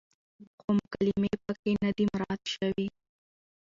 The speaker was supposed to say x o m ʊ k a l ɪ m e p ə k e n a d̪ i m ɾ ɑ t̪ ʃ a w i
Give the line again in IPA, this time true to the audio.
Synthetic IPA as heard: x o m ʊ k a l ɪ m e p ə k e n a d̪ i m ɾ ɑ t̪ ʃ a w i